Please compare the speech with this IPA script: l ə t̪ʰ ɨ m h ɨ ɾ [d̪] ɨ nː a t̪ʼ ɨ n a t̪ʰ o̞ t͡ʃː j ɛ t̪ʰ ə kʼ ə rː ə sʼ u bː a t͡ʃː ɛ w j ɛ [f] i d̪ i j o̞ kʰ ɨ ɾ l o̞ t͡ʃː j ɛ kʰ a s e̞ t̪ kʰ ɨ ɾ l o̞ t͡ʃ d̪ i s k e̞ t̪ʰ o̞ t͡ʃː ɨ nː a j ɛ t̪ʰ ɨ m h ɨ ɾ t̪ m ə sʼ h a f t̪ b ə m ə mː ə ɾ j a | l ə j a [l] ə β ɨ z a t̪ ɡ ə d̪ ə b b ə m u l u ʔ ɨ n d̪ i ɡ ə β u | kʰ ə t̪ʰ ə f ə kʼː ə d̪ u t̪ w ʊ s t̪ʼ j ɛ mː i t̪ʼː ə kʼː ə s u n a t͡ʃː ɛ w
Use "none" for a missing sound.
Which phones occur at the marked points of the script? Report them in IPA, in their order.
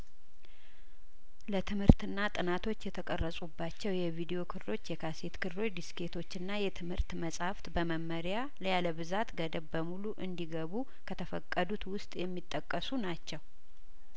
t̪, v, l

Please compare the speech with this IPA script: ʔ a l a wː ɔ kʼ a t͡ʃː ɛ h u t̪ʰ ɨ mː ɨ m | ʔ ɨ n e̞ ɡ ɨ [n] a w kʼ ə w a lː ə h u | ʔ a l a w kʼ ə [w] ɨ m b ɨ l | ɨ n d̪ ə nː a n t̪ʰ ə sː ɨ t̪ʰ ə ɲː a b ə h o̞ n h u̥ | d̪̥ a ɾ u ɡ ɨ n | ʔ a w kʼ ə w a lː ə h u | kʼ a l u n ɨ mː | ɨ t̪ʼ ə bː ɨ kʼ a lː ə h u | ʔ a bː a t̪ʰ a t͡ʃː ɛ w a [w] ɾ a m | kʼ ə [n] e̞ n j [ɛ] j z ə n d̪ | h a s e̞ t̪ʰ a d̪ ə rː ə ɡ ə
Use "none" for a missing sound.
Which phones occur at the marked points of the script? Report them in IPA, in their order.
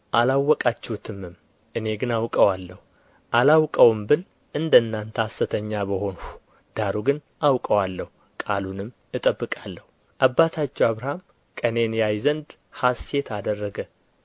n, w, β, n, a

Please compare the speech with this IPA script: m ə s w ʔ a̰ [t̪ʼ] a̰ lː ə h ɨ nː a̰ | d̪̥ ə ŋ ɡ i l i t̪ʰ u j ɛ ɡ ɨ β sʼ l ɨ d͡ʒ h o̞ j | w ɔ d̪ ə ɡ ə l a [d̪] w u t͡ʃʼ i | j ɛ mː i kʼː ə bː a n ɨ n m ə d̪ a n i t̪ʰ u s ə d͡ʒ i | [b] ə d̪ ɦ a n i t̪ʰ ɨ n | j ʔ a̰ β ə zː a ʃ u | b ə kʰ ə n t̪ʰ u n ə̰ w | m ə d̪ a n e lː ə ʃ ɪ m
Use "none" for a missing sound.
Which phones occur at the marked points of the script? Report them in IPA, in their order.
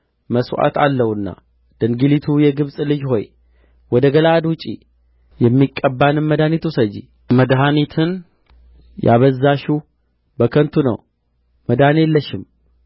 t̪, d̪, m

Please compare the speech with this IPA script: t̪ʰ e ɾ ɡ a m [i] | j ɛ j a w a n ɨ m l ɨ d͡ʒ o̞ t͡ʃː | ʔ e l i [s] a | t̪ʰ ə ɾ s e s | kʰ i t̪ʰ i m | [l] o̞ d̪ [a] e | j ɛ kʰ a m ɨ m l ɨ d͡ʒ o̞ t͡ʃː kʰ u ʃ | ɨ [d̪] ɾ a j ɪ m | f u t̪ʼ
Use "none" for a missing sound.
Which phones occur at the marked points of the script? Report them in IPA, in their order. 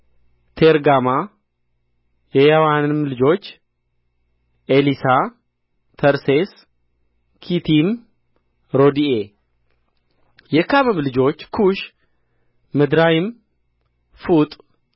a, s, ɾ, i, d̪

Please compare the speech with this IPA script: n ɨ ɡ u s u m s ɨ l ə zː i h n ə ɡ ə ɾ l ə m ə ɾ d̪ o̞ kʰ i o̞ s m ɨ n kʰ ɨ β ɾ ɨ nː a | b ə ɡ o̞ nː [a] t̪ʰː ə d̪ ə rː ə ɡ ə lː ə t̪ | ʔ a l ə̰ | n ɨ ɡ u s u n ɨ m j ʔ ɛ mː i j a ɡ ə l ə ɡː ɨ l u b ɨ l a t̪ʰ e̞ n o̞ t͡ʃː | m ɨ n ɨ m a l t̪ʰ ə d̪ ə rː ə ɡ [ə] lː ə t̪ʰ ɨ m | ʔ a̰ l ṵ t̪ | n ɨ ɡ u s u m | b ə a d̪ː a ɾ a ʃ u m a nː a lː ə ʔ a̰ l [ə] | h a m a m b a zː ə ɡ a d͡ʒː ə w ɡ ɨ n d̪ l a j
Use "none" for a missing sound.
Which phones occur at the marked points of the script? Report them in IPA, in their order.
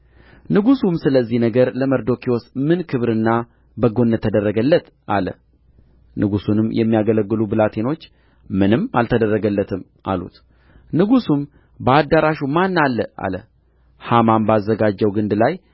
ə, ə, ə

